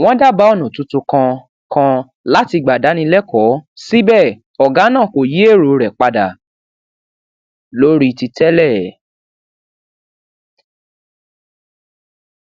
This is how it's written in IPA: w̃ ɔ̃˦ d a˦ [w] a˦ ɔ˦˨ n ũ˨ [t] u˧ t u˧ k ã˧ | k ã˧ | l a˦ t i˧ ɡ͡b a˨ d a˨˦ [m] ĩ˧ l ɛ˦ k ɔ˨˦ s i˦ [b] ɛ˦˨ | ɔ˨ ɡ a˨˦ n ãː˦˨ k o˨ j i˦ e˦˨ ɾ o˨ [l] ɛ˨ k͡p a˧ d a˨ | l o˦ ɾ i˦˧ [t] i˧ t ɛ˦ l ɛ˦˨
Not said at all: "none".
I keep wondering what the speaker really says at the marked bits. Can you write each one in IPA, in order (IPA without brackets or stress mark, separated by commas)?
b, t, n, b, ɾ, t